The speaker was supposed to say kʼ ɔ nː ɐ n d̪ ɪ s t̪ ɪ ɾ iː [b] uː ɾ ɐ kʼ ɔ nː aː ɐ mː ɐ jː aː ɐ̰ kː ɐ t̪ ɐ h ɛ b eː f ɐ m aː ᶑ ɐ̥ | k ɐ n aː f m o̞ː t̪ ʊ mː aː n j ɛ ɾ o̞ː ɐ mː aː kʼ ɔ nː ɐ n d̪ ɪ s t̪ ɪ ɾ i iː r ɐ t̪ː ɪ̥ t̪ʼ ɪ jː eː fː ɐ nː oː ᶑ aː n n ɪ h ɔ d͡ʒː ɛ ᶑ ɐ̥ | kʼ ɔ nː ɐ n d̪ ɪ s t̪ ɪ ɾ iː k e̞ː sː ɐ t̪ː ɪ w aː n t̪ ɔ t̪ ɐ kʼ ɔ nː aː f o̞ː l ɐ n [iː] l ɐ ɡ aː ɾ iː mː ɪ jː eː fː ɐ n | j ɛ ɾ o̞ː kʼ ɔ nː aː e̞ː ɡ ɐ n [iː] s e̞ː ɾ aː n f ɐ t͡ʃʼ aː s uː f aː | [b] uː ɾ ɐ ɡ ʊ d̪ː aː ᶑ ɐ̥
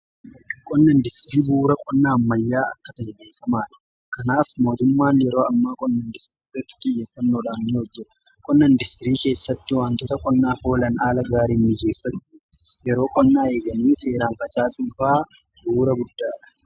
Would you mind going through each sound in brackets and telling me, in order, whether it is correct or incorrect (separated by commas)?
correct, incorrect, correct, correct